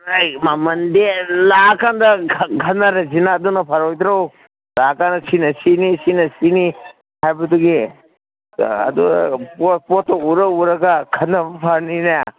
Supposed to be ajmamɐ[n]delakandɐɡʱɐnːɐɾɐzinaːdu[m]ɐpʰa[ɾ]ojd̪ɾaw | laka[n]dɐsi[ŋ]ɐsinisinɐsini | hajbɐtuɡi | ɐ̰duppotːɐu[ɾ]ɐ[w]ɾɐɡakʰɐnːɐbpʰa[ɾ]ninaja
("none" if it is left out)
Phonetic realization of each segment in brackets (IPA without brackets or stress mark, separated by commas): n, n, ɾ, n, n, ɾ, u, ɾ